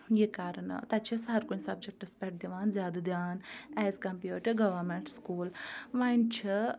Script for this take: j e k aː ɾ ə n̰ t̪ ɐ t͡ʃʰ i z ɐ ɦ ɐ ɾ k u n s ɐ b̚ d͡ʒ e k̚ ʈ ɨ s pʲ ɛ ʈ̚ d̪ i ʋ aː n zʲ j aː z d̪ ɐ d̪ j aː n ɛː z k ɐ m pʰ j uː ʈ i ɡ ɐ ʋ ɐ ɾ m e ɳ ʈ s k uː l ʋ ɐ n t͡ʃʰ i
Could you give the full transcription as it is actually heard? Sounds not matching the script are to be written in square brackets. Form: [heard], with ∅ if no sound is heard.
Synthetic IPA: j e k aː ɾ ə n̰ t̪ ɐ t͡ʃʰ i [s] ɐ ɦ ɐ ɾ k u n s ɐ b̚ d͡ʒ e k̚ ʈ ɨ s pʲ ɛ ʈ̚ d̪ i ʋ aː n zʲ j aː [∅] d̪ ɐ d̪ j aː n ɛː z k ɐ m [p] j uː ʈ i ɡ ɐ ʋ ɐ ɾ m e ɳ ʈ s k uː l ʋ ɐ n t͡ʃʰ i